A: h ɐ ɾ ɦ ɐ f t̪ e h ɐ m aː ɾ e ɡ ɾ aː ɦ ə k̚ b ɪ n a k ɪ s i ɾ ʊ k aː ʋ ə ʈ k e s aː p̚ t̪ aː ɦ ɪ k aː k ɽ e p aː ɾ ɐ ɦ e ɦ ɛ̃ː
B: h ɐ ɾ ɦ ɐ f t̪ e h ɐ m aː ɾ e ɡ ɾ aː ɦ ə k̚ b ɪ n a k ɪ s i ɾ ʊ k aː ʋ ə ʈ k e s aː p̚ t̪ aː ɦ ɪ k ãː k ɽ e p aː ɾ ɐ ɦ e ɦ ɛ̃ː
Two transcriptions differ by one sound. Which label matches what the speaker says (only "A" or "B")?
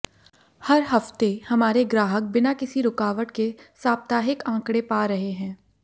B